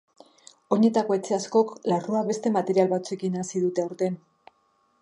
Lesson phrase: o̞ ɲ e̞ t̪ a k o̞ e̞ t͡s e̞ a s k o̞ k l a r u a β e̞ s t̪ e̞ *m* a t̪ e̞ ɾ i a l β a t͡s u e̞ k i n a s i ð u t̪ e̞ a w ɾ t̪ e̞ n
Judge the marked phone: correct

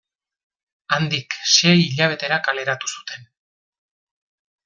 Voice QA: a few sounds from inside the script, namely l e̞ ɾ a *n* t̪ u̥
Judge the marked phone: incorrect: none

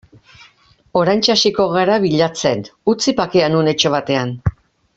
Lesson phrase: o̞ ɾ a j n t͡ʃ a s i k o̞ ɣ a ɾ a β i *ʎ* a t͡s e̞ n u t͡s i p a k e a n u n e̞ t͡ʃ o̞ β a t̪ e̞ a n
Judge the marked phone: correct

